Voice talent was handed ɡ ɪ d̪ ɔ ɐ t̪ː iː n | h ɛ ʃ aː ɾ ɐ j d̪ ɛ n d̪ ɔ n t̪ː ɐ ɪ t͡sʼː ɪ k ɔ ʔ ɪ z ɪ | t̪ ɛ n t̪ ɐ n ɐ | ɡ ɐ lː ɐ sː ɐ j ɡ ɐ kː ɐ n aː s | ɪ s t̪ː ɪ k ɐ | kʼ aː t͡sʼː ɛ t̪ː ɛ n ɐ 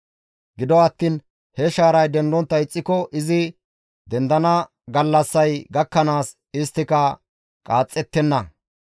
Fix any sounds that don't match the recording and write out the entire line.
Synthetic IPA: ɡ ɪ d̪ ɔ ɐ t̪ː iː n | h ɛ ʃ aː ɾ ɐ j d̪ ɛ n d̪ ɔ n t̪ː ɐ ɪ t͡sʼː ɪ k ɔ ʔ ɪ z ɪ | d̪ ɛ n d̪ ɐ n ɐ | ɡ ɐ lː ɐ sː ɐ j ɡ ɐ kː ɐ n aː s | ɪ s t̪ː ɪ k ɐ | kʼ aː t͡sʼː ɛ t̪ː ɛ nː ɐ